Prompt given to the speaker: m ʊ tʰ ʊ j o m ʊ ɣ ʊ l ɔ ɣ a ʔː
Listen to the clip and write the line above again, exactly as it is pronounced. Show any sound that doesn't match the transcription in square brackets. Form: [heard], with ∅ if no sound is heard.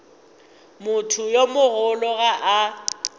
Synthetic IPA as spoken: m ʊ tʰ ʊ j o m ʊ ɣ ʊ l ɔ ɣ a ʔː